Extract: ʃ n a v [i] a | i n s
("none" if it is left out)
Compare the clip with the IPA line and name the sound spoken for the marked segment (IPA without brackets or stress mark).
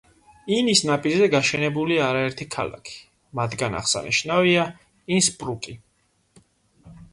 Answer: i